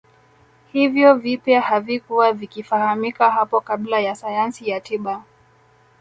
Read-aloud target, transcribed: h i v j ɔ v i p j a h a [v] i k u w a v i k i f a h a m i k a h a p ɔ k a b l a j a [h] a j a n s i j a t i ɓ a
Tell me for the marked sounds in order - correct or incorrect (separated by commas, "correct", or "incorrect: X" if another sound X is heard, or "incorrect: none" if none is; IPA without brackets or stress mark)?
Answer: correct, incorrect: s